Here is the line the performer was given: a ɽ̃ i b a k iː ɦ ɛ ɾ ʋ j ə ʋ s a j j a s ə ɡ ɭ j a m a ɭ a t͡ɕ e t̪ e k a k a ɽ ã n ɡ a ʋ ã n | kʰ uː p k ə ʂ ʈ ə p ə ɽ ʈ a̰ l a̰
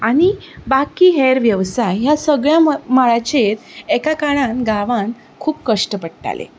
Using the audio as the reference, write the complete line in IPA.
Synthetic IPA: a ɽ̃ i b a k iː ɦ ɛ ɾ ʋ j ə ʋ s a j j a s ə ɡ ɭ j a m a ɭ a t͡ɕ e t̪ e k a k a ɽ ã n ɡ a ʋ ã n | kʰ uː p k ə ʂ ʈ ə p ə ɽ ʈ a̰ l ḛ